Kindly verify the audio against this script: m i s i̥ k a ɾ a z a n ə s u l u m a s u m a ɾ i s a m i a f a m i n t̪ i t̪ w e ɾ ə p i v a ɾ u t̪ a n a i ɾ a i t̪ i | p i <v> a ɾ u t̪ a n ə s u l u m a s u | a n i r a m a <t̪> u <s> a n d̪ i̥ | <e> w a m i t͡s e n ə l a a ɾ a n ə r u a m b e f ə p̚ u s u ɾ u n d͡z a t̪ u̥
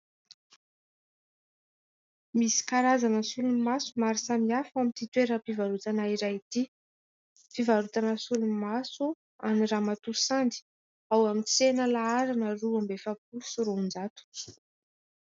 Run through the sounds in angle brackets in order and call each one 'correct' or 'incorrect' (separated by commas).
correct, correct, correct, incorrect